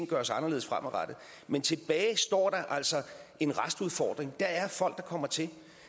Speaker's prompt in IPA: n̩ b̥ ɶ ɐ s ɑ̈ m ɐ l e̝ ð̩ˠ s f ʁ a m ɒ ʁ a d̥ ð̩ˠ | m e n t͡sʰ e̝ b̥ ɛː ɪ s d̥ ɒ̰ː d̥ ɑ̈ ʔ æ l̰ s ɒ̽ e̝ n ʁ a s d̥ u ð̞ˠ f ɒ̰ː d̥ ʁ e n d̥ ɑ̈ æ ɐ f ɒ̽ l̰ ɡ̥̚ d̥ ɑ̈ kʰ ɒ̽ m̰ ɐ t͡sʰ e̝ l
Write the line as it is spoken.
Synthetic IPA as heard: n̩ ɡ̥ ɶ ɐ s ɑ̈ n ɐ l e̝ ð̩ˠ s f ʁ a m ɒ ʁ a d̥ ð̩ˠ | m e n t͡sʰ e̝ b̥ ɛː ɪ s d̥ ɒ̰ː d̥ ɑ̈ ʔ æ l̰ s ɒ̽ e̝ n ʁ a s d̥ u ð̞ˠ f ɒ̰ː d̥ ʁ e ŋ d̥ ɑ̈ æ ɐ f ɒ̽ l̰ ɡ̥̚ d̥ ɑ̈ kʰ ɒ̽ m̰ ɐ t͡sʰ e̝ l